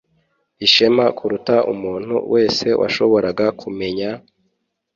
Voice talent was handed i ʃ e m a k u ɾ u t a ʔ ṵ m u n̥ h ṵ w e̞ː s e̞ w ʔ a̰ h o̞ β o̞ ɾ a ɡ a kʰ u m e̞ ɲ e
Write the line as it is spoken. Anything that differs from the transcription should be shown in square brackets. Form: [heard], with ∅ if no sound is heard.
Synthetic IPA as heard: i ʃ e m a k u ɾ u t a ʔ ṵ m [uː] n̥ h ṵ w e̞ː s e̞ w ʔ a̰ [ʃ] o̞ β o̞ ɾ a ɡ a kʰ u m e̞ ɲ [a]